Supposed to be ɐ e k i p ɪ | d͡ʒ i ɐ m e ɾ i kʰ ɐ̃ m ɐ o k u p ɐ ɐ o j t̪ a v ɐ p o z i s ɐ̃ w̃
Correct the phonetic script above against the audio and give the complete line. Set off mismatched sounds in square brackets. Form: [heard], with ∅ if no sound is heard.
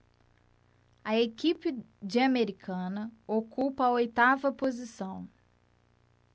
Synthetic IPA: ɐ e k i p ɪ | d͡ʒ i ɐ m e ɾ i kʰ ɐ̃ [n] ɐ o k u p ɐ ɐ o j t̪ a v ɐ p o z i s ɐ̃ w̃